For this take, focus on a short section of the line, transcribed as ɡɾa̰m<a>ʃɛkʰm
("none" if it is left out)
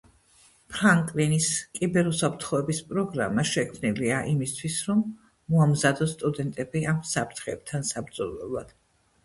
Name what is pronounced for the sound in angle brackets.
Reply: a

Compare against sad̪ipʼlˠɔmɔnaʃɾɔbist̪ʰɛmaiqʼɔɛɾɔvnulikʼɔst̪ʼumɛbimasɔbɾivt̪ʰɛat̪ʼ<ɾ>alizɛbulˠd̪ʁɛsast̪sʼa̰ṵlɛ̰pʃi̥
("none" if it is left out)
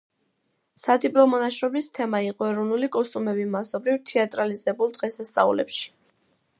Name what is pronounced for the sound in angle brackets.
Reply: ɾ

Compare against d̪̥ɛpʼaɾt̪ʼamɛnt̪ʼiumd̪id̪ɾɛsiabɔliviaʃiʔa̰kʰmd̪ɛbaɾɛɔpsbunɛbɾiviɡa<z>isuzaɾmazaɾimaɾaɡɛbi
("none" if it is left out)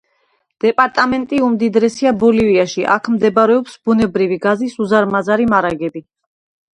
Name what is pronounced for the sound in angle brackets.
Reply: z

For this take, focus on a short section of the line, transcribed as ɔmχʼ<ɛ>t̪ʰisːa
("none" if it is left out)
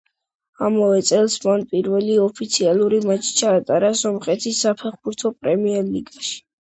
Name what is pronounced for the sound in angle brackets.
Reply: ɛ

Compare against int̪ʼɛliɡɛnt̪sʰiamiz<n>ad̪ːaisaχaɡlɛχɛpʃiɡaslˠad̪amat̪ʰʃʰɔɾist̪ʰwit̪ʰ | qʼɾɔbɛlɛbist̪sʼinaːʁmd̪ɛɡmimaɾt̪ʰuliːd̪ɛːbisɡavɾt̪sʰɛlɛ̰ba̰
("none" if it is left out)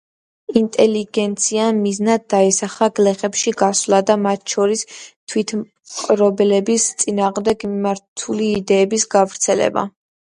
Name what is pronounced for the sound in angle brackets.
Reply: n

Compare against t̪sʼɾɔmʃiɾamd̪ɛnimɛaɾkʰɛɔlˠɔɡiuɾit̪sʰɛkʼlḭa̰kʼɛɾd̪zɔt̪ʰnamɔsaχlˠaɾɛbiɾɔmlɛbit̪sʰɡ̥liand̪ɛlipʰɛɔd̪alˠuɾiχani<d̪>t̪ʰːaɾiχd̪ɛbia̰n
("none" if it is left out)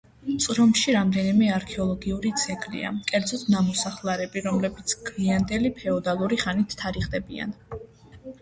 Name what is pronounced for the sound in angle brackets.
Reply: none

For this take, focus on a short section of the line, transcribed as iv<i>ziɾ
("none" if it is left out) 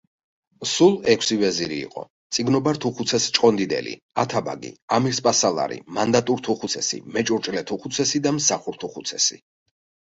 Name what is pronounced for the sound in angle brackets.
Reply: ɛ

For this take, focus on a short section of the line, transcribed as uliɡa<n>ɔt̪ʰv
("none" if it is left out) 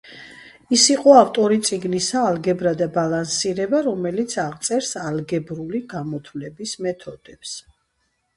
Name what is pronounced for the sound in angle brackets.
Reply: m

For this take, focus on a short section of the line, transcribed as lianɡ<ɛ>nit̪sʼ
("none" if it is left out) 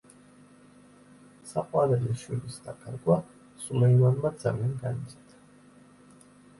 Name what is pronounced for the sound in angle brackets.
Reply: a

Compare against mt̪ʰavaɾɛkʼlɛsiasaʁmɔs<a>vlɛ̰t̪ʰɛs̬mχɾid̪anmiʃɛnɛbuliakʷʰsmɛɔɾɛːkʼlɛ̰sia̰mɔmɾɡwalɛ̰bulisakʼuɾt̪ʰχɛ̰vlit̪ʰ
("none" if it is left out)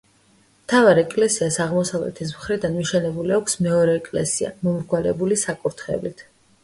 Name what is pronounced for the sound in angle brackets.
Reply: a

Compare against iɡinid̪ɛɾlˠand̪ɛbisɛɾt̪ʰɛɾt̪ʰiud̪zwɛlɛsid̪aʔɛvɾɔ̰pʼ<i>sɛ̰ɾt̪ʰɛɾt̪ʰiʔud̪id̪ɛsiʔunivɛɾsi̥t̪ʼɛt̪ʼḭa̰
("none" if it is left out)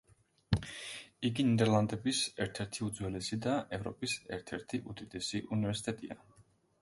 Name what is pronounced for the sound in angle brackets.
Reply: i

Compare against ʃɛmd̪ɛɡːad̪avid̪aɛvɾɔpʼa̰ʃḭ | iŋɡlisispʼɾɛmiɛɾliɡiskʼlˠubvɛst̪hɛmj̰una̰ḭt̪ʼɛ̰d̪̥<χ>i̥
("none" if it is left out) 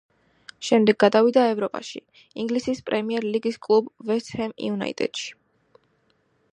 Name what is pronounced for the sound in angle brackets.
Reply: ʃ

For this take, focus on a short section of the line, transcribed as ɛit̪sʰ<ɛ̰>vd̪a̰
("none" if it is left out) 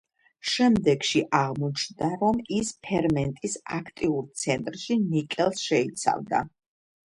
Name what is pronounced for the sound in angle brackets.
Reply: a̰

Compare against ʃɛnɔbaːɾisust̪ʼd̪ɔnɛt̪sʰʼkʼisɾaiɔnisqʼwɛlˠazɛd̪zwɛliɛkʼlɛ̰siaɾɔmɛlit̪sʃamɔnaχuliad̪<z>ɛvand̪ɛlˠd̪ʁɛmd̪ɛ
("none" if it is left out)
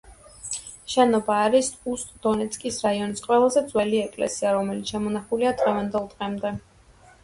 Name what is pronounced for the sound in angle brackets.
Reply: ʁ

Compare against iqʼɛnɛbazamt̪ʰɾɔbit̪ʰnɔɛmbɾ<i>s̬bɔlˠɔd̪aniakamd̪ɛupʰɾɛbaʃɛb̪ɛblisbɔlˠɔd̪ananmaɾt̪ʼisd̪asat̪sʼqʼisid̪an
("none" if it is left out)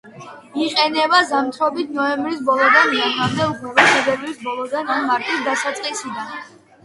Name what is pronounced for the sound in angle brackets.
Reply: i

